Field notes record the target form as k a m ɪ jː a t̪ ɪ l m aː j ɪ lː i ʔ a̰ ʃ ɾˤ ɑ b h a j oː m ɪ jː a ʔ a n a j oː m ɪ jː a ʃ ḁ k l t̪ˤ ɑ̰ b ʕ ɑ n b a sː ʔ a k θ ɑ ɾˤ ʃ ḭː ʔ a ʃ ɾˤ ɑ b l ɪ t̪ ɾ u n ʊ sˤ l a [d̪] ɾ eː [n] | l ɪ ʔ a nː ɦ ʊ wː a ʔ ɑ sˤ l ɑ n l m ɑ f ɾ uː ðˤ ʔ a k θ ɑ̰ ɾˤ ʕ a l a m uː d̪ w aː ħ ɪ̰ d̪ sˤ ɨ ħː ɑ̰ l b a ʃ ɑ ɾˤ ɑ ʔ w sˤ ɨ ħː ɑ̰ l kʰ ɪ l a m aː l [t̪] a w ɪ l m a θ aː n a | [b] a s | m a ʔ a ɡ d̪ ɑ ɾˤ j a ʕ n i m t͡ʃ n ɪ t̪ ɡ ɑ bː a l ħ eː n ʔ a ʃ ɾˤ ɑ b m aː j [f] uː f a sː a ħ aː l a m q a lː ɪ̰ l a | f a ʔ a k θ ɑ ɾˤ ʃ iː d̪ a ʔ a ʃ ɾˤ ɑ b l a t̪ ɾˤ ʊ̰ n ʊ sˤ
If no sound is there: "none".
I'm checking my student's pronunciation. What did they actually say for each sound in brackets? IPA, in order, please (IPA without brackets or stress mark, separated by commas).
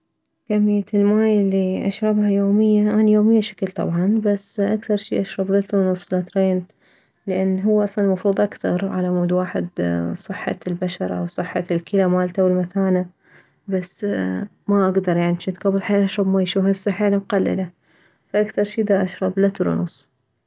t̪, n, t̪, b, ʃ